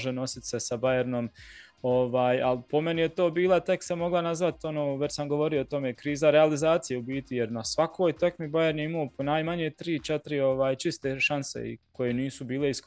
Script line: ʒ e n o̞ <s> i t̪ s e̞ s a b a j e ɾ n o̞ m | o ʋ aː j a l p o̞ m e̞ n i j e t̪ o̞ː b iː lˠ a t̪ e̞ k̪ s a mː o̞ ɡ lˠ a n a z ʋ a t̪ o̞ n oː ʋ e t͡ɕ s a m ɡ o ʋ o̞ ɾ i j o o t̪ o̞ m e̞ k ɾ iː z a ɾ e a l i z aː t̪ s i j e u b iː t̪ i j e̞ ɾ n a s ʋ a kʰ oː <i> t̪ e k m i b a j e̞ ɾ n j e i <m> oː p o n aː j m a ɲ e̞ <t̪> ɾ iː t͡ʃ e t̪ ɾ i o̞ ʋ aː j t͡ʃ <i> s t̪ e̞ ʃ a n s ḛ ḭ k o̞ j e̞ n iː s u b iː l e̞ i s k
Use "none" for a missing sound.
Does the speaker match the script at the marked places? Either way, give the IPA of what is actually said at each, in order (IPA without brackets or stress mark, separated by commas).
s, j, m, t̪, i